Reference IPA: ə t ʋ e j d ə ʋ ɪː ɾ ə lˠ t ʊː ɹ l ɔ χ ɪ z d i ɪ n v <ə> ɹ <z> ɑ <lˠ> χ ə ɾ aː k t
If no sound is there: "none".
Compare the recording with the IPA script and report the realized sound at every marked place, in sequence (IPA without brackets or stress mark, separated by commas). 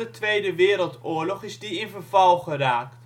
ə, v, lˠ